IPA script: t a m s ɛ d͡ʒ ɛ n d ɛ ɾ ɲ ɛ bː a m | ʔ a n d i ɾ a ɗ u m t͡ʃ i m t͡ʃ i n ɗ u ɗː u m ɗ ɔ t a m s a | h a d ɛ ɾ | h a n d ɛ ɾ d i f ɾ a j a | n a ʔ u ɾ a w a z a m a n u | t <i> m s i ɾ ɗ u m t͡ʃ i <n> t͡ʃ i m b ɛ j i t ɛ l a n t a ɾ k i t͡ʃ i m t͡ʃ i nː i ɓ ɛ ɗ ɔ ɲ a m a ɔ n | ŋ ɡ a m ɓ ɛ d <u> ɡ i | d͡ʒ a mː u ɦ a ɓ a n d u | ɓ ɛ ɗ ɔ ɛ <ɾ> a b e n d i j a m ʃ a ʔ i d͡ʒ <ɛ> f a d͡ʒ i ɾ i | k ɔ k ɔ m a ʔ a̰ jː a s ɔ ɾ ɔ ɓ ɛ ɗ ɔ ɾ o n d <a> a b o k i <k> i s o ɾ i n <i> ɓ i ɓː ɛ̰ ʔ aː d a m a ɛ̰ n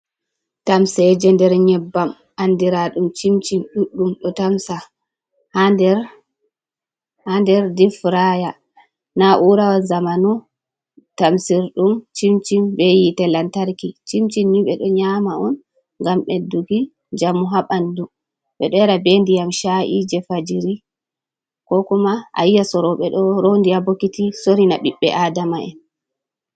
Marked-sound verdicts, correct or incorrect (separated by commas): incorrect, incorrect, correct, correct, correct, incorrect, incorrect, incorrect